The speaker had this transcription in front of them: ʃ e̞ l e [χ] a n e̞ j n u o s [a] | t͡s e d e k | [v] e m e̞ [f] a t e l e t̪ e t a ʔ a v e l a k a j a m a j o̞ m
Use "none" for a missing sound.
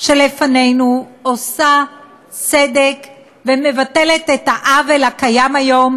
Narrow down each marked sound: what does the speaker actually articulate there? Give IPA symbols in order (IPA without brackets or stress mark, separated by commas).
f, a, v, v